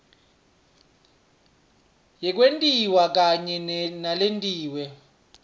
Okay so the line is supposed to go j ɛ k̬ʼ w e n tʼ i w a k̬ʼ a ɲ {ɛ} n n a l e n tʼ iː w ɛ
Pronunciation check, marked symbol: correct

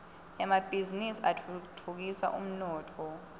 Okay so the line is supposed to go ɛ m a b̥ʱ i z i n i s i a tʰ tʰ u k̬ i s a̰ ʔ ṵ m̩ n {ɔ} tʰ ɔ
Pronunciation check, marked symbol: incorrect: ɔː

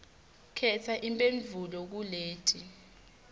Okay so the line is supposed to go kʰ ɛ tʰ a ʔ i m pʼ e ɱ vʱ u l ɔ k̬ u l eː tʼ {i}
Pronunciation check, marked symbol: correct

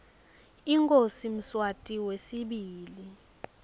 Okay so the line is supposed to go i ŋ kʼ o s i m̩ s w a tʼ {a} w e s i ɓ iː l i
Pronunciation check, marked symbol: incorrect: i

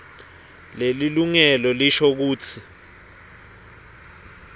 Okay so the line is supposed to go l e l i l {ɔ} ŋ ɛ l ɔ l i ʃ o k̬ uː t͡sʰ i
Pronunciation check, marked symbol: incorrect: u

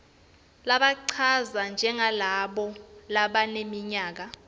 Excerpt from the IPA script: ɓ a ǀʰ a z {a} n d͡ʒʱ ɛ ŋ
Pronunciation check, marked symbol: correct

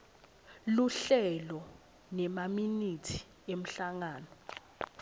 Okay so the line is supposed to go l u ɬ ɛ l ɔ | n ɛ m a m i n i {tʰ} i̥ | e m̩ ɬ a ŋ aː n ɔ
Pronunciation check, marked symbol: correct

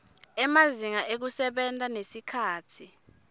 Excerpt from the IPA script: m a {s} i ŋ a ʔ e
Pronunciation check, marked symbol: incorrect: z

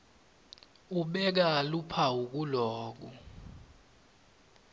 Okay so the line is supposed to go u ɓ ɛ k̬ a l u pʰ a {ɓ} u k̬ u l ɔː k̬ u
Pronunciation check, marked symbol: incorrect: none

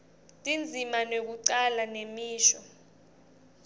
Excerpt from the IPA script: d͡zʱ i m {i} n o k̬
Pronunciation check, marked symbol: incorrect: a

